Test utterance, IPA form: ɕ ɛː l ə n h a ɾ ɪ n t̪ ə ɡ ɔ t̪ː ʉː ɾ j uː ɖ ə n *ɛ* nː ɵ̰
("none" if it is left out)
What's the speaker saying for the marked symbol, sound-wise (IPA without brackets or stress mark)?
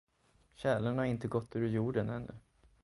ɛ